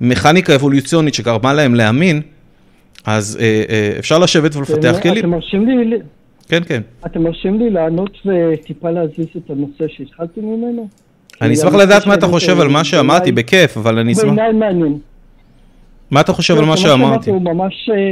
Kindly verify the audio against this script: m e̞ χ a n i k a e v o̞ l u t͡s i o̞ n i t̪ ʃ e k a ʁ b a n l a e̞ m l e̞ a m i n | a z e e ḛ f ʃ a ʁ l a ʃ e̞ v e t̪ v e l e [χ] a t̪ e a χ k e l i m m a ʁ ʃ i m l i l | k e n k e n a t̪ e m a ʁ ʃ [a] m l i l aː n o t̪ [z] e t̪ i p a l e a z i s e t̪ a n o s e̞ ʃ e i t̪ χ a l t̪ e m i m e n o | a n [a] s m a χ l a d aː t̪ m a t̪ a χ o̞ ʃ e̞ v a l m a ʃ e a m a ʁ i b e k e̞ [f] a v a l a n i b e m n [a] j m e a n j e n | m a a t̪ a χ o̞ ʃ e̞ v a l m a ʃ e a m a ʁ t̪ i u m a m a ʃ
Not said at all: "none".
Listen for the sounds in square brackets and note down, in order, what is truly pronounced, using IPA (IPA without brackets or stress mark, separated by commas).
f, i, v, i, f, a